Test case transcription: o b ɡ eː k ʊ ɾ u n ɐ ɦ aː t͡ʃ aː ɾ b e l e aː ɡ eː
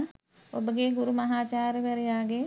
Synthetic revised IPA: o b ɡ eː ɡ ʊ ɾ u m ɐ ɦ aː t͡ʃ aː ɾ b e ɾ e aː ɡ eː